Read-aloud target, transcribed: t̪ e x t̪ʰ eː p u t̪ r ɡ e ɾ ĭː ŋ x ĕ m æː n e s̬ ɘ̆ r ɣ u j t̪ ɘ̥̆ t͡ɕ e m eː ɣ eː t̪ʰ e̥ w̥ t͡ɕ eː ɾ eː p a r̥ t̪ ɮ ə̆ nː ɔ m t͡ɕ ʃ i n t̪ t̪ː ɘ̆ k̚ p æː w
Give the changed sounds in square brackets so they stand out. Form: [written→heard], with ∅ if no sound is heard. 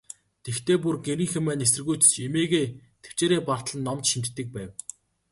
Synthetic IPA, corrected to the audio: t̪ e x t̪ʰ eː p u [t̪→∅] r ɡ e ɾ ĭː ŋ x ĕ m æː n e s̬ ɘ̆ r ɣ u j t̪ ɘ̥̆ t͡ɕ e m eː ɣ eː t̪ʰ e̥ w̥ t͡ɕ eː ɾ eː p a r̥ t̪ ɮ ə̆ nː ɔ m t͡ɕ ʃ i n t̪ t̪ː ɘ̆ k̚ p æː w